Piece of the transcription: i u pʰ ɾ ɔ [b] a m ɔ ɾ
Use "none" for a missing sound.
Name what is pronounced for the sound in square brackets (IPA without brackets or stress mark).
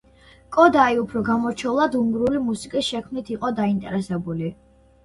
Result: ɡ